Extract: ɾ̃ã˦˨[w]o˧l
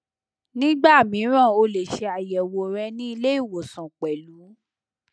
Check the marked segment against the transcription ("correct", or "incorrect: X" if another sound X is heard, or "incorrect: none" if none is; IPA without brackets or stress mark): incorrect: none